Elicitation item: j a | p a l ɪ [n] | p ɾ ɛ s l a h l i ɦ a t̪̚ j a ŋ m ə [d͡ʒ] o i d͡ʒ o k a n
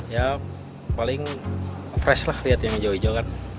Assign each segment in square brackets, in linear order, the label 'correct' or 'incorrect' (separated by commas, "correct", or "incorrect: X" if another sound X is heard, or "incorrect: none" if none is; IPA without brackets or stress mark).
incorrect: ŋ, correct